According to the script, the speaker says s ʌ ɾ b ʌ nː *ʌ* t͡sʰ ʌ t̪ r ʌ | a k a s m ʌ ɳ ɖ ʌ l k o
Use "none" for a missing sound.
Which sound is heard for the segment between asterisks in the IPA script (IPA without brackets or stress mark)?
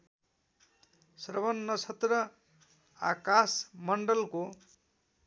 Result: ʌ